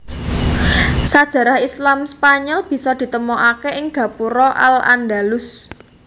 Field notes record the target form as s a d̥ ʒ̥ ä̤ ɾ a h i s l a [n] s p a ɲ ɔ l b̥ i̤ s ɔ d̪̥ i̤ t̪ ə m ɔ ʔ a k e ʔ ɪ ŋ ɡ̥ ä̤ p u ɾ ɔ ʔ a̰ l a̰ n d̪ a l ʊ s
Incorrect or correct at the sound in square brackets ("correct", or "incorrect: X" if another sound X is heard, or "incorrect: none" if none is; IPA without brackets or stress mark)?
incorrect: m